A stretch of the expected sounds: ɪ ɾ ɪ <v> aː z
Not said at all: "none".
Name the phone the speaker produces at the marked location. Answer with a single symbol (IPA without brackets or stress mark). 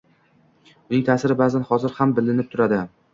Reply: b